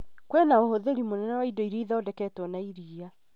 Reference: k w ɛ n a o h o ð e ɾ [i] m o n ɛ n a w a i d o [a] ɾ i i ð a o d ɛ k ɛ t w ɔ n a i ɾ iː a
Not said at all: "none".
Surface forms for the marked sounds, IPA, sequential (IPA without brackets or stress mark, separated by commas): i, i